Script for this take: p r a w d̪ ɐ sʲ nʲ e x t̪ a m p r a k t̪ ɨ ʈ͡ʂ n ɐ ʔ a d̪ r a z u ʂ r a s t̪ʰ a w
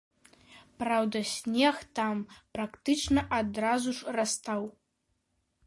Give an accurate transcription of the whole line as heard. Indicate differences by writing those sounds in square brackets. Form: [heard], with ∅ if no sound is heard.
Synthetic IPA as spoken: p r a w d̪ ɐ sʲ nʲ e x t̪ a m p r a k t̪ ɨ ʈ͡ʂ n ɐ ʔ a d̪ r a z u ʂ r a s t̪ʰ a w